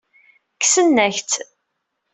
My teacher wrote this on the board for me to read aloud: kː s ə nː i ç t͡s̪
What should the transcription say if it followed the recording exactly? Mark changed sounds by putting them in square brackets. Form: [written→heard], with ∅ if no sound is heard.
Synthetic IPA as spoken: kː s ə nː [i→æ] ç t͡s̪

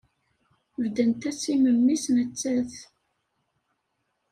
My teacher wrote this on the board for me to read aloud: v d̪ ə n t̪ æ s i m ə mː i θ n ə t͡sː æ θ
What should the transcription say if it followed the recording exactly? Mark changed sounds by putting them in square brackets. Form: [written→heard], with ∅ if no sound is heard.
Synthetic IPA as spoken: v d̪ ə n t̪ æ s i m ə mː i [θ→s] n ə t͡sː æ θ

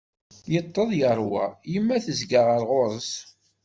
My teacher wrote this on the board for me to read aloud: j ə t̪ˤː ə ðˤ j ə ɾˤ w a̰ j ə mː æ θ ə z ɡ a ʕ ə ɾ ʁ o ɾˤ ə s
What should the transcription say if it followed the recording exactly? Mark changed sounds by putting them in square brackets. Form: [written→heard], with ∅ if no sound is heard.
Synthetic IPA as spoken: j ə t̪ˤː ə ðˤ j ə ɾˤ w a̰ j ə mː æ θ ə z ɡ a [ʕ→ʁ] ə ɾ ʁ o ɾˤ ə s

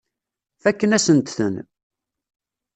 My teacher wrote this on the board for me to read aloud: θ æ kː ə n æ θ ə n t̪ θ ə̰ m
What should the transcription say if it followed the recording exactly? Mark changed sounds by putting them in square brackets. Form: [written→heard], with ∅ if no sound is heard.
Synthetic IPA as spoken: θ æ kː ə n æ [θ→s] ə n t̪ θ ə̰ [m→n]

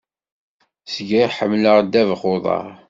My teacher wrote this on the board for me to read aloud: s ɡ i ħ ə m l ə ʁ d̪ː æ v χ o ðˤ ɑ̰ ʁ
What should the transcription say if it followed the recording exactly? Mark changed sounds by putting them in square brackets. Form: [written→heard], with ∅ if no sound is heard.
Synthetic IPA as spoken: s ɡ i ħ ə m l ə ʁ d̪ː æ v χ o ðˤ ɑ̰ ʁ

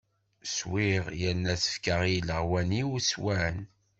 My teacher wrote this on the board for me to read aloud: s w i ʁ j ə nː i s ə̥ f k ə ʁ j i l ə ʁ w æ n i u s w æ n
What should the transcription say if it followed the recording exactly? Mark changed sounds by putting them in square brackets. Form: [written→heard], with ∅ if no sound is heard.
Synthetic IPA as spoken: s w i ʁ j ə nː [i→æ] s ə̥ f k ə ʁ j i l ə ʁ w æ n i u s w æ n

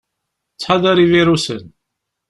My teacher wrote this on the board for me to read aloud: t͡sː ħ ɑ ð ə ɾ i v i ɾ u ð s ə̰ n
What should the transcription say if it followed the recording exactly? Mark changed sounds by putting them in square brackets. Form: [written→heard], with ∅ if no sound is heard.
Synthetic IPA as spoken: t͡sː ħ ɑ ð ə ɾ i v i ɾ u [ð→∅] s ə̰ n

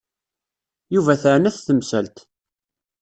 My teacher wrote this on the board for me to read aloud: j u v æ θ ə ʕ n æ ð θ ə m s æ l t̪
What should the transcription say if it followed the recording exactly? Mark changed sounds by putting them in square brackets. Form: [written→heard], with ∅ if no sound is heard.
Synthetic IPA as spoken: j u v æ θ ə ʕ n æ [ð→θ] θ ə m s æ l t̪

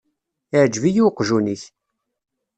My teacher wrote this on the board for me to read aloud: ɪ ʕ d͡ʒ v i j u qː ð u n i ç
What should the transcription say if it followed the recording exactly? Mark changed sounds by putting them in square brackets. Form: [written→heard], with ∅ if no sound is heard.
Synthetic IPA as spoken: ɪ ʕ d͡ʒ v i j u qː [ð→ʒ] u n i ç

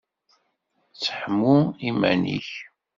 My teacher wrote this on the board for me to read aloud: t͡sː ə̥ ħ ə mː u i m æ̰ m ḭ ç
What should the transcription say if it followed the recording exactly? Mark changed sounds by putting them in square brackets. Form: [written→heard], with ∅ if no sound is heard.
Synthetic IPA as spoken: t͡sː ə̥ ħ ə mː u i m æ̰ [m→n] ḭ ç

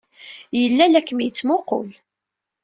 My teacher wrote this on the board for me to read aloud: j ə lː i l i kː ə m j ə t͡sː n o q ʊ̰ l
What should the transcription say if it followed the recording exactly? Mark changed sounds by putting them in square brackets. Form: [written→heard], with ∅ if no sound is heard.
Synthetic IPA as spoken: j ə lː [i→æ] l [i→æ] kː ə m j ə t͡sː [n→m] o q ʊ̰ l

